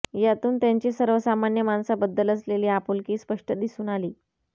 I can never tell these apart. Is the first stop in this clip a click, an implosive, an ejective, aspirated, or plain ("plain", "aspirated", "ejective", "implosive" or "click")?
plain